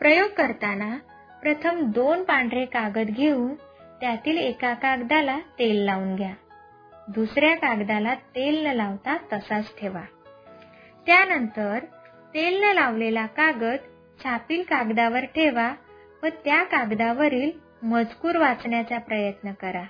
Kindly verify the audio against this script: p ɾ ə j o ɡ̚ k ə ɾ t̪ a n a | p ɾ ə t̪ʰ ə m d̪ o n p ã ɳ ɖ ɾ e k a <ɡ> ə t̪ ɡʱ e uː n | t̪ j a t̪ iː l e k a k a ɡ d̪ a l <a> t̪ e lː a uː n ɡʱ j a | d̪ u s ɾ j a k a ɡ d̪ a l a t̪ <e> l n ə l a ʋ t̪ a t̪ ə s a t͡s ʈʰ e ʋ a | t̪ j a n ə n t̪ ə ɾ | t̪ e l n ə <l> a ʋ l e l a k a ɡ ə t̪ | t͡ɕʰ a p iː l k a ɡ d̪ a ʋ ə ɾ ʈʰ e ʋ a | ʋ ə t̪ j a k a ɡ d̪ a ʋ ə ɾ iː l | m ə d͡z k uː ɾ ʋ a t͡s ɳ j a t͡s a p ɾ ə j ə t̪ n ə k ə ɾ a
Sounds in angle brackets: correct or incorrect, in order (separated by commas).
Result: correct, correct, correct, correct